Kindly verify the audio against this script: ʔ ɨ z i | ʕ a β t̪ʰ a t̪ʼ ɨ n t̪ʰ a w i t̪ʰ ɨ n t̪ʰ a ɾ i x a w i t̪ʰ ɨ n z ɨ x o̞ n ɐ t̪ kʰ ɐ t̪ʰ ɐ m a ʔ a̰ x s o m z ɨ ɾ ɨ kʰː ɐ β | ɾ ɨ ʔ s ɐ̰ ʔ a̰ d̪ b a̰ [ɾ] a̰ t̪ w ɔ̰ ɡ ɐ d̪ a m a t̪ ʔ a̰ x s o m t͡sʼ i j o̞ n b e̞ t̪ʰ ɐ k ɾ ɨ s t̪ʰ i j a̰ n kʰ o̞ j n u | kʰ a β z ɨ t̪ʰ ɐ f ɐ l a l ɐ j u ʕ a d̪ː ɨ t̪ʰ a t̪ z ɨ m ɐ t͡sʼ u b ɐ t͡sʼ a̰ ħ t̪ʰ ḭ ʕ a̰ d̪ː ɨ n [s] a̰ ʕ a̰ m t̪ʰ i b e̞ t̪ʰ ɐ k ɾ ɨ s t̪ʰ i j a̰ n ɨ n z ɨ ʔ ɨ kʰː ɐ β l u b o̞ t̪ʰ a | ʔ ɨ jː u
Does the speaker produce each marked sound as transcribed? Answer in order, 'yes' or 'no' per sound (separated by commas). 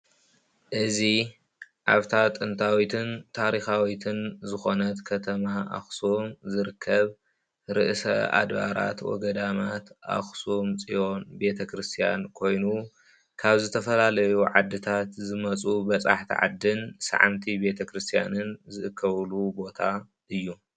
yes, yes